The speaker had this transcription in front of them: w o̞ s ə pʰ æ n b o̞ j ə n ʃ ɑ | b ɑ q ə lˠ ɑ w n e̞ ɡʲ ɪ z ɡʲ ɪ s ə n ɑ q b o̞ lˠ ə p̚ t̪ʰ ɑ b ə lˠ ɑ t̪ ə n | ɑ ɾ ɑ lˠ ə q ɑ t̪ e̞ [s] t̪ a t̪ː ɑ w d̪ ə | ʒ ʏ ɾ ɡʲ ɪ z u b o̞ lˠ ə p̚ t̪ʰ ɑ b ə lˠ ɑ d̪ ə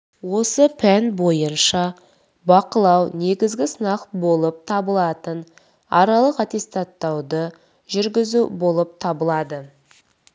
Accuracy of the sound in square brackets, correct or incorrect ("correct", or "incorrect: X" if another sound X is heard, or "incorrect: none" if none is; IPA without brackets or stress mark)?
correct